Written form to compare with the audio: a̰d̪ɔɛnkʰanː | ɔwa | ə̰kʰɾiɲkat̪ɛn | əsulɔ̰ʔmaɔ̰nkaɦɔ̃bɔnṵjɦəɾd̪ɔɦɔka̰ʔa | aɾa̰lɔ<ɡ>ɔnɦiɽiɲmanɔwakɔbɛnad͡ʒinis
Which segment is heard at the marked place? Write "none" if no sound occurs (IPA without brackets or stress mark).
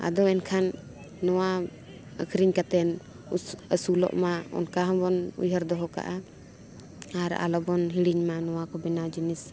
b